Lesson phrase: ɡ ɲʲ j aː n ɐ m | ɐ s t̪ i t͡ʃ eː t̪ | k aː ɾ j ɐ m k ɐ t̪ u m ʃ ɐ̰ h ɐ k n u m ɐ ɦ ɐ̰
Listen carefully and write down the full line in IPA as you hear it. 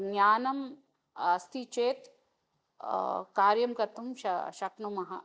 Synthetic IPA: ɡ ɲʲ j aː n ɐ m | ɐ s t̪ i t͡ʃ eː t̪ | k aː ɾ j ɐ m k ɐ t̪ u m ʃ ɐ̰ ʃ ɐ k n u m ɐ ɦ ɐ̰